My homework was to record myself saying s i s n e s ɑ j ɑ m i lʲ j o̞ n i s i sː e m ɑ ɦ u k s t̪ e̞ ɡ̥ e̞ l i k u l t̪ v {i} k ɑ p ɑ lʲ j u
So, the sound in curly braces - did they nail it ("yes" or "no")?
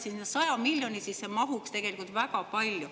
no